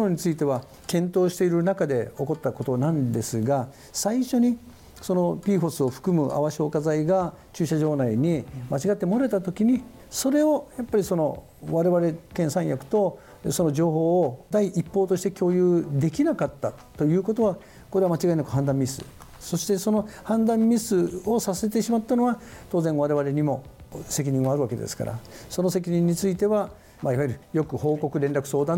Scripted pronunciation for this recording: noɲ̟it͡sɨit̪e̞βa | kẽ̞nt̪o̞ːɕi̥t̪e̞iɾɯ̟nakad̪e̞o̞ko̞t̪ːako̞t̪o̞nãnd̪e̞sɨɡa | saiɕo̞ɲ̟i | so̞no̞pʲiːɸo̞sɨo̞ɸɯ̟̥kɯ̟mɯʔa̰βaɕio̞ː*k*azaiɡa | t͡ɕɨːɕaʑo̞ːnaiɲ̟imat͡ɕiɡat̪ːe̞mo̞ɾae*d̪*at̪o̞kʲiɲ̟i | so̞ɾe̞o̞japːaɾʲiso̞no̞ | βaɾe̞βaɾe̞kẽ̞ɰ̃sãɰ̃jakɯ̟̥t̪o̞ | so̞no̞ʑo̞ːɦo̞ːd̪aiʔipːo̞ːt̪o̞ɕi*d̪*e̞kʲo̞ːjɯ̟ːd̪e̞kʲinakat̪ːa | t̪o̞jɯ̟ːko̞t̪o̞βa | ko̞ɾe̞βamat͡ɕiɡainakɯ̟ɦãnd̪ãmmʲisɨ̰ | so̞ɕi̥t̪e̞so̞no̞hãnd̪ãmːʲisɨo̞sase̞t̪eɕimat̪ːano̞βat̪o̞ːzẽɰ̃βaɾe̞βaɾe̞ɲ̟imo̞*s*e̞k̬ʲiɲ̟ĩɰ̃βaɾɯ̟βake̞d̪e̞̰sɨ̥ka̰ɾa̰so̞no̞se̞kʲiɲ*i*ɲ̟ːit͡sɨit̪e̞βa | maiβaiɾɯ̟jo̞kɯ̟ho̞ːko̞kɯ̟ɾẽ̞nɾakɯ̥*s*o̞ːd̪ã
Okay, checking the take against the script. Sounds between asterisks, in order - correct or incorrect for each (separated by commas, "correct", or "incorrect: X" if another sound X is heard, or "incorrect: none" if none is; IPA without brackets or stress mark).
correct, incorrect: t̪, incorrect: t̪, correct, incorrect: ĩ, correct